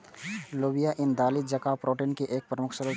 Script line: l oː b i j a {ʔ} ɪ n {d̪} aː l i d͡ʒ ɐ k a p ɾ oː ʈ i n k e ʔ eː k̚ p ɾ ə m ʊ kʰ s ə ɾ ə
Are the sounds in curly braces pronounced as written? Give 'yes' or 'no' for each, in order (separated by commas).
yes, yes